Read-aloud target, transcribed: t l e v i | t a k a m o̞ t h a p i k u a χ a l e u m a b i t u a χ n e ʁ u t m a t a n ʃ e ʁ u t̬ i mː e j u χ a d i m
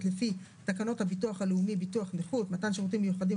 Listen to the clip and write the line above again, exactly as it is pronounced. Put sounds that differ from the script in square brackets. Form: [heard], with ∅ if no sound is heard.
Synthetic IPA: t l e [f] i | t a k a [n] o̞ t h a [b] i [t] u a χ a l e u m [i] b i t u a χ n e [χ] u t m a t a n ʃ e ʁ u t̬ i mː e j u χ a d i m